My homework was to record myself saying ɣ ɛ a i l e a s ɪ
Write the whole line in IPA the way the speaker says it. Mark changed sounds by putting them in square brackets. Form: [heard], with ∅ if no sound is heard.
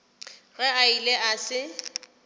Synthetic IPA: ɣ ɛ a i l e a s ɪ